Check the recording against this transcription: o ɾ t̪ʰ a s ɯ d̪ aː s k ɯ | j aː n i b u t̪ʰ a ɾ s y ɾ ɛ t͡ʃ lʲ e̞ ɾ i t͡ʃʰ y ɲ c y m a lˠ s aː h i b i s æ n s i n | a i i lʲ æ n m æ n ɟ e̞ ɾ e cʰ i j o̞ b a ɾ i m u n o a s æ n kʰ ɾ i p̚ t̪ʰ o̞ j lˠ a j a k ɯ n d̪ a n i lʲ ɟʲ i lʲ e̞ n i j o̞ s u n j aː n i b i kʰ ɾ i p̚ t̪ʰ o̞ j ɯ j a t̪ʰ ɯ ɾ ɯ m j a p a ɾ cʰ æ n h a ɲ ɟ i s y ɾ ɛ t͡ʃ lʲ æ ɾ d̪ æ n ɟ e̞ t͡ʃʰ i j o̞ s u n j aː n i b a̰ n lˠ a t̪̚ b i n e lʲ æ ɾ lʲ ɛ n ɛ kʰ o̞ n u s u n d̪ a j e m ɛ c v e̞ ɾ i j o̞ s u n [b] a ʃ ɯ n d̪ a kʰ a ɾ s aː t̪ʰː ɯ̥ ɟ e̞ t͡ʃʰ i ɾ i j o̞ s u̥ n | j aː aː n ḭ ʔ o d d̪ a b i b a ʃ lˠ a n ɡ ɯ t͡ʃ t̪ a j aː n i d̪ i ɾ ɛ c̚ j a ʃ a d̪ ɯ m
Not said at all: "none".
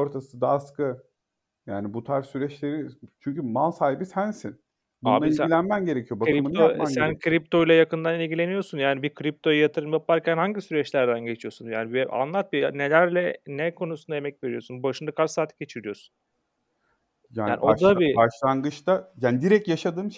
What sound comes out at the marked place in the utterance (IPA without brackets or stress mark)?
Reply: b